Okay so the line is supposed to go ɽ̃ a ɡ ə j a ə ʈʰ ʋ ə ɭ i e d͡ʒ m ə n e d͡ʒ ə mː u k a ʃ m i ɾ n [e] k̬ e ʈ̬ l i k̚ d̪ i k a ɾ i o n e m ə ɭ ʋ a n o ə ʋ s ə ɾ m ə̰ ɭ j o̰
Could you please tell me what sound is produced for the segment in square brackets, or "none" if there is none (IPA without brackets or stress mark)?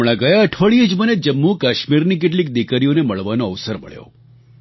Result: i